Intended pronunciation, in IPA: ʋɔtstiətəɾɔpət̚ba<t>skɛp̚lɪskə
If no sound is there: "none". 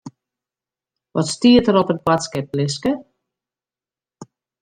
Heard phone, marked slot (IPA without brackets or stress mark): t